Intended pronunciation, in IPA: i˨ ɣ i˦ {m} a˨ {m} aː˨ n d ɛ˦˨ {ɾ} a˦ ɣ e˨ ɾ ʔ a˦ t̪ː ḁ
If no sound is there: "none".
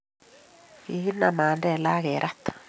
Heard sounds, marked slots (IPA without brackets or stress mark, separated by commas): n, m, l